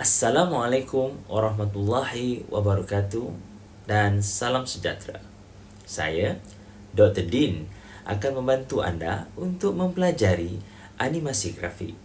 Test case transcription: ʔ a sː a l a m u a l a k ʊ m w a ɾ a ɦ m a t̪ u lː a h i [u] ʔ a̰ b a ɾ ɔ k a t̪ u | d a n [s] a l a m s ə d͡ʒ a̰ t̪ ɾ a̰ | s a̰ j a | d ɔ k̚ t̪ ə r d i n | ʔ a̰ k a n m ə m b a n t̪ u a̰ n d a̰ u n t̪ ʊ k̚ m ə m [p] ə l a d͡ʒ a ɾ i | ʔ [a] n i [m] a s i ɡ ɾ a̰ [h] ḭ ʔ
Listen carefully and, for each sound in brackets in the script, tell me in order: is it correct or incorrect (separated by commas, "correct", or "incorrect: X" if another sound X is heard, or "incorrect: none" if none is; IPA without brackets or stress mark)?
incorrect: w, correct, correct, correct, correct, incorrect: f